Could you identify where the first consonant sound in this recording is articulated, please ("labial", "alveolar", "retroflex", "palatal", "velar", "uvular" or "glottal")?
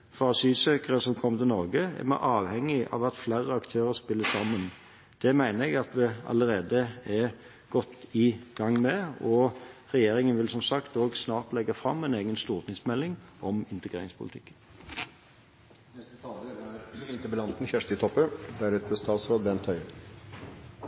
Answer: labial